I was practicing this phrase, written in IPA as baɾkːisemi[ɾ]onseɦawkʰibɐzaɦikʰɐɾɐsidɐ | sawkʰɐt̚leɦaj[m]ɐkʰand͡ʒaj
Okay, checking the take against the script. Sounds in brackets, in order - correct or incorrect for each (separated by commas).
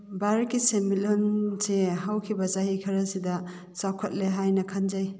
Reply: incorrect, incorrect